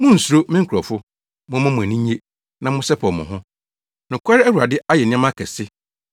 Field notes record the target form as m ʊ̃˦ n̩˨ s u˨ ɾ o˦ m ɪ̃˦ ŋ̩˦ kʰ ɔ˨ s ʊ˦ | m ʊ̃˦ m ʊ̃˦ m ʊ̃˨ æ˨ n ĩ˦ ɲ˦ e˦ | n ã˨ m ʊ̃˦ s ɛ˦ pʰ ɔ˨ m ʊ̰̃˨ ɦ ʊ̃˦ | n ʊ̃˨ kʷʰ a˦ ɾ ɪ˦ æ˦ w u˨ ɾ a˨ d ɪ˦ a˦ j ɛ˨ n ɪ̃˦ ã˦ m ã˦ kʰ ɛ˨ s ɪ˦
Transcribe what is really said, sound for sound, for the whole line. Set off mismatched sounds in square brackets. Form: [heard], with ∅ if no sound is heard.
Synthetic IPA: m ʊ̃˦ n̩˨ s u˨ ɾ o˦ m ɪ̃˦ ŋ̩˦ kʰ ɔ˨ [f] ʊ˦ | m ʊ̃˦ m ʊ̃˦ m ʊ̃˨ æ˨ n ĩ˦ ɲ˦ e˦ | n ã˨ m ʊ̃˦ s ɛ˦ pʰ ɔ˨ m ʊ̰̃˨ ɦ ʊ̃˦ | n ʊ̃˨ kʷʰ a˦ ɾ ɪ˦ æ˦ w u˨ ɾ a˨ d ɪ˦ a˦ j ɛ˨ n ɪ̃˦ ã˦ m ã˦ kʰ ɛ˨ s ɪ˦